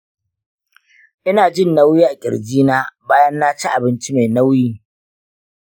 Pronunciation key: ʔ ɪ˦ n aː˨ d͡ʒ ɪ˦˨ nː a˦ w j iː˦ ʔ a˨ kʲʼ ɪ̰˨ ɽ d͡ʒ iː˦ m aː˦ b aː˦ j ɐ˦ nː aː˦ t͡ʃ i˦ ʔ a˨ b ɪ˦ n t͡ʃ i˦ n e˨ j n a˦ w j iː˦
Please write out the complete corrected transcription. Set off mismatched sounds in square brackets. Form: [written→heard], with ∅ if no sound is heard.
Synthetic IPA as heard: ʔ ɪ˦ n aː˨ d͡ʒ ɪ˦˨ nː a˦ w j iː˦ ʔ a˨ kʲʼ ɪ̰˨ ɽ d͡ʒ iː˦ [m→n] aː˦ b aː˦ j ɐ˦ nː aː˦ t͡ʃ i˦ ʔ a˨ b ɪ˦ n t͡ʃ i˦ [n→m] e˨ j n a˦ w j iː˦

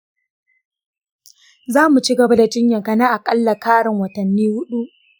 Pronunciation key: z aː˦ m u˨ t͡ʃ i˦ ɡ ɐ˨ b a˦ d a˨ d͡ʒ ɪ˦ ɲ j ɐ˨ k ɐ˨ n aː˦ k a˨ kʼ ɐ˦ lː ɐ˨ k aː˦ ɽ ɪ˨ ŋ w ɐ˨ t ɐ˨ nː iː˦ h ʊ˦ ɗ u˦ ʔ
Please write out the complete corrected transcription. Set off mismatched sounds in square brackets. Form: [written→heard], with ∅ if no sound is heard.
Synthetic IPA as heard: z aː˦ m u˨ t͡ʃ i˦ ɡ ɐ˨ b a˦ d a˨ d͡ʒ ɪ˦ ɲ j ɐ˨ k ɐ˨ n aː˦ [k→ʔ] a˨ kʼ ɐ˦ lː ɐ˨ k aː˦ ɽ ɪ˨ ŋ w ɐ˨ t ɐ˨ nː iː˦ h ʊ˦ ɗ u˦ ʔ

